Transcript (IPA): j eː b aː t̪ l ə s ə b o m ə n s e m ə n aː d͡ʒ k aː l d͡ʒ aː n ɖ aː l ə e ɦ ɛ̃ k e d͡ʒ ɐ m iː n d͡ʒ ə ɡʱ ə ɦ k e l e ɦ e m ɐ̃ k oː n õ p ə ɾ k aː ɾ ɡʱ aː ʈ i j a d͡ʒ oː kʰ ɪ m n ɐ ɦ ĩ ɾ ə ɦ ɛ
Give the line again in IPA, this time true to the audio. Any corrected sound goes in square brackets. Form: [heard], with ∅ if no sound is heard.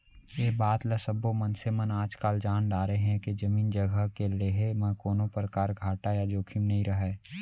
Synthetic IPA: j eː b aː t̪ l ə s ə b o m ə n s e m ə n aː d͡ʒ k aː l d͡ʒ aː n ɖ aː [ɾ] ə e ɦ ɛ̃ k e d͡ʒ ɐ m iː n d͡ʒ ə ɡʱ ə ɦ k e l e ɦ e m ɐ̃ k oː n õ p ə ɾ k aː ɾ ɡʱ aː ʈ [a] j a d͡ʒ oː kʰ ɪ m n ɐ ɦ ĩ ɾ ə ɦ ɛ